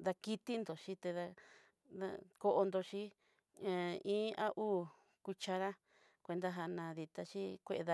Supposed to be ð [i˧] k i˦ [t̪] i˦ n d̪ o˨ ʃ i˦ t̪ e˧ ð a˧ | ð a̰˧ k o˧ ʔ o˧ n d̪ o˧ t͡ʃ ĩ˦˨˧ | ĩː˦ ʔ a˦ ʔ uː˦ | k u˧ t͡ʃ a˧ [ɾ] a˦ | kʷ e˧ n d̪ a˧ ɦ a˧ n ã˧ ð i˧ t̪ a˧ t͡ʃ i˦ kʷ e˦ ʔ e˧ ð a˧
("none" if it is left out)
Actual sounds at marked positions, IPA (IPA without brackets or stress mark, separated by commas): a˧, t̪, ɾ